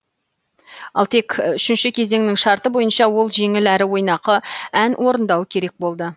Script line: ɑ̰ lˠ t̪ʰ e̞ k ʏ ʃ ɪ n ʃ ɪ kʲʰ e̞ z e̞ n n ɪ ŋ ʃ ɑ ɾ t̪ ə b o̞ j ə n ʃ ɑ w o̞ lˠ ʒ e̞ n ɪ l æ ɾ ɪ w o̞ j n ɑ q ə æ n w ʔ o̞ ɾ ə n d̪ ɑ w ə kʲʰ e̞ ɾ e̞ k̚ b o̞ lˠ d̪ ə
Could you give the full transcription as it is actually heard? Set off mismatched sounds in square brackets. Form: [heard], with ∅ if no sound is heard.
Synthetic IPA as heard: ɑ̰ lˠ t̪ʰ e̞ k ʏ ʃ ɪ n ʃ ɪ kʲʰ e̞ z e̞ [ŋ] n ɪ ŋ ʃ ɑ ɾ t̪ ə b o̞ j ə n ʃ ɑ w o̞ lˠ ʒ e̞ [ŋ] ɪ l æ ɾ ɪ w o̞ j n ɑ q ə æ n w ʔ o̞ ɾ ə n d̪ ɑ w ə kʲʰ e̞ ɾ e̞ k̚ b o̞ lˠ d̪ ə